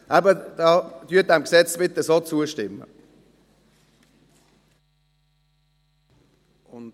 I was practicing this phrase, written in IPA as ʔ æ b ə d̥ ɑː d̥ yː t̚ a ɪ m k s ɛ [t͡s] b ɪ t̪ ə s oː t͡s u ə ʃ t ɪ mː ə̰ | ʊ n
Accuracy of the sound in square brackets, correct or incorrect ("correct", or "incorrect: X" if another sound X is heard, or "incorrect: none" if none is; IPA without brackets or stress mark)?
correct